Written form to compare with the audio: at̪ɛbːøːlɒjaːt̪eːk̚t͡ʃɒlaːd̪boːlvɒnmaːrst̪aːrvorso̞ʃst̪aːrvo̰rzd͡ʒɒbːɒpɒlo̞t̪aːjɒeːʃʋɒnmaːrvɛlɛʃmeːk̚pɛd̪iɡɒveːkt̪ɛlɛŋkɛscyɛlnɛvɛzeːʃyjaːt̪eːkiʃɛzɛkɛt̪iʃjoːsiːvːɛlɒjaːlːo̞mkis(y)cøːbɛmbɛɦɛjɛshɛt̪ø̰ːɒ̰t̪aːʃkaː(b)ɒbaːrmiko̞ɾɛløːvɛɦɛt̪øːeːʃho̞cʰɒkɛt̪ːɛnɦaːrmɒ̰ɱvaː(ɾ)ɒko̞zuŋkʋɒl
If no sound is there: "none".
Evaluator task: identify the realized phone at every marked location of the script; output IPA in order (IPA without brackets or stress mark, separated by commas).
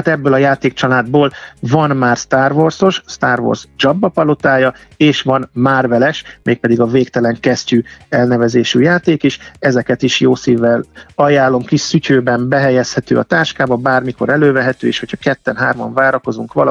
y, b, ɾ